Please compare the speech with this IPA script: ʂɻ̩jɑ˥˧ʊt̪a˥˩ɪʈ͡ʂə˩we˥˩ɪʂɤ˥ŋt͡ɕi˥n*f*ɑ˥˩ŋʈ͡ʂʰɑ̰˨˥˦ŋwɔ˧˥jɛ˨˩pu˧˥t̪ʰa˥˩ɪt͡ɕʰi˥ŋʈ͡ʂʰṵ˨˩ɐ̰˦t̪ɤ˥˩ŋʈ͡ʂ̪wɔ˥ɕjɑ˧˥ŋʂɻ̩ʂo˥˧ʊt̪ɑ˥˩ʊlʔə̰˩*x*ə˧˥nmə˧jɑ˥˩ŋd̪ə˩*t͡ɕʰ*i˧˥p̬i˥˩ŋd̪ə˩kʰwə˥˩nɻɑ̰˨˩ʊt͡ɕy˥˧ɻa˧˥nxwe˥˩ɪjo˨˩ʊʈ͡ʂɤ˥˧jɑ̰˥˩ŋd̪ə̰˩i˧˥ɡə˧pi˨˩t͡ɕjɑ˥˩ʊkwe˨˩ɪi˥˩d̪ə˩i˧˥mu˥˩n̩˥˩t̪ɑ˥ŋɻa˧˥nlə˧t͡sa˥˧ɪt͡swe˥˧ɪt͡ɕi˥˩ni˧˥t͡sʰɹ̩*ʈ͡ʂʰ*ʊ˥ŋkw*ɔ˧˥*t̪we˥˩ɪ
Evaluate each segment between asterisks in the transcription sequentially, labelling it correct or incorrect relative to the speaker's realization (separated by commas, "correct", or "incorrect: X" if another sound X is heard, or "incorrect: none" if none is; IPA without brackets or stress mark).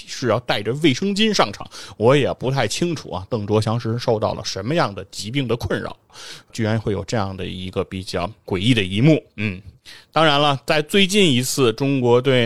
incorrect: ʂ, incorrect: ʂ, incorrect: t͡ɕ, incorrect: ʈ͡ʂ, correct